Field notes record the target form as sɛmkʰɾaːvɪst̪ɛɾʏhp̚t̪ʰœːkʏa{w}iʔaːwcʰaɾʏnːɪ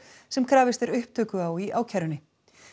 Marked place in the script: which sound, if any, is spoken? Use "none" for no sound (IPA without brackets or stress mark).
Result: w